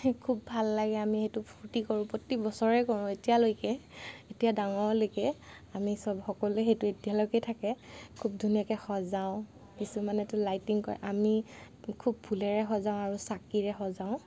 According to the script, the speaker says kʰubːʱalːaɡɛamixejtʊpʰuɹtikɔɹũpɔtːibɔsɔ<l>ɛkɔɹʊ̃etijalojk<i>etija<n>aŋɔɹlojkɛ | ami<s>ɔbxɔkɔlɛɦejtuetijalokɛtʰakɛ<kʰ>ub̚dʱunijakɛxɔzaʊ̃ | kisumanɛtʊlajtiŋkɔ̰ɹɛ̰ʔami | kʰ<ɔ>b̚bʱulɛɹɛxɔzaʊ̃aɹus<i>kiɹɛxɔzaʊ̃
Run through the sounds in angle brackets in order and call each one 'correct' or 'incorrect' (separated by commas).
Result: incorrect, incorrect, incorrect, correct, correct, incorrect, incorrect